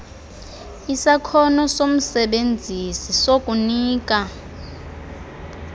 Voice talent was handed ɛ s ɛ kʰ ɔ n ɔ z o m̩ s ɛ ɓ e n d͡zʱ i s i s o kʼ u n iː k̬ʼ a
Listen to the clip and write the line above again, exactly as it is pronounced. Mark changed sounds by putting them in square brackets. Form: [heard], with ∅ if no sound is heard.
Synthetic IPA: [i] s [a] kʰ ɔ n ɔ [s] o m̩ s ɛ ɓ e n d͡zʱ i s i s o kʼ u n iː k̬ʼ a